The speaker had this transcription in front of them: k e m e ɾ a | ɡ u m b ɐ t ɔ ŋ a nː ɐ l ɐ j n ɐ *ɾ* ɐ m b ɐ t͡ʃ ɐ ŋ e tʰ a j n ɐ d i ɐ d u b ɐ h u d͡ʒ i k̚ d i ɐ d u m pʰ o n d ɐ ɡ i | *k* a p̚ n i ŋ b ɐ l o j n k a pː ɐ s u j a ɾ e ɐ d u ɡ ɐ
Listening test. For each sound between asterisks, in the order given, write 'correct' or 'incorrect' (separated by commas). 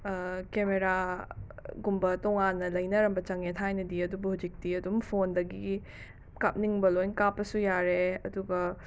correct, correct